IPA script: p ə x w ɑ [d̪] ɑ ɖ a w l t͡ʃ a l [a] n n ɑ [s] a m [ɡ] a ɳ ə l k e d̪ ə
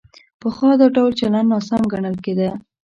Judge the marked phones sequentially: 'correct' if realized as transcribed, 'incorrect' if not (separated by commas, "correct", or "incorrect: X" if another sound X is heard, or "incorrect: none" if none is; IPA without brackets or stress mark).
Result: correct, correct, correct, correct